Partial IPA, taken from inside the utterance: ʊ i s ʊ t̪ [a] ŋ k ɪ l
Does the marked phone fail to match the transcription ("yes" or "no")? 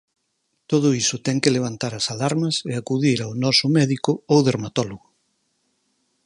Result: yes